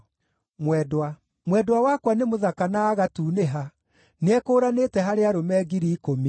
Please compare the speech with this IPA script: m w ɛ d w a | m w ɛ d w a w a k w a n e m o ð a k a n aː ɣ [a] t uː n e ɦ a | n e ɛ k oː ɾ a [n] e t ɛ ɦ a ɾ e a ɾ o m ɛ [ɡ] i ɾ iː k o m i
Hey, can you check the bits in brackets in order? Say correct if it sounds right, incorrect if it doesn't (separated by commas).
correct, correct, correct